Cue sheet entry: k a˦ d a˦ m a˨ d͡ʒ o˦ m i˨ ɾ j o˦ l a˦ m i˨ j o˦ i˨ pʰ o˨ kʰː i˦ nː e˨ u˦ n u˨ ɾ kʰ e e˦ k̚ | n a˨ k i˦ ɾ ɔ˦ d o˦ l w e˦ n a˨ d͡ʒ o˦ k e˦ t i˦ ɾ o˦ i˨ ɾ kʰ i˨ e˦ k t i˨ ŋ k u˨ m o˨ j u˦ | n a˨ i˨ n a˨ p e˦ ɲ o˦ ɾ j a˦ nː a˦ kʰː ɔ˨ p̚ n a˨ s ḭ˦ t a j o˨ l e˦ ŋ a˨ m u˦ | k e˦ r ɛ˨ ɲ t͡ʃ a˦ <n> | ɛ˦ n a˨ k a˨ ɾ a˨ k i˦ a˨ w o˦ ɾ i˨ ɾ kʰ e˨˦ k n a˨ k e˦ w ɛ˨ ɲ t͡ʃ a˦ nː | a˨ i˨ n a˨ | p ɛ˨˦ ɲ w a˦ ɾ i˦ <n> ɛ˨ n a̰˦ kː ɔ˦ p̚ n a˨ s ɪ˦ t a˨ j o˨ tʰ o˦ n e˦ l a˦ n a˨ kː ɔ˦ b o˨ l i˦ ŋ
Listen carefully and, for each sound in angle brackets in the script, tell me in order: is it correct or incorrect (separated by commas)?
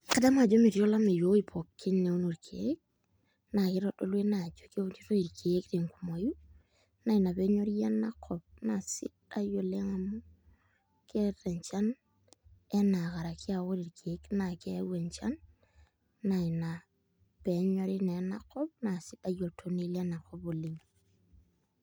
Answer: correct, correct